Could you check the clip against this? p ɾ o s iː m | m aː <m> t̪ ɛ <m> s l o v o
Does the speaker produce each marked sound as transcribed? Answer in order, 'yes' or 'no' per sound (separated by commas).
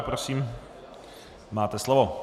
no, no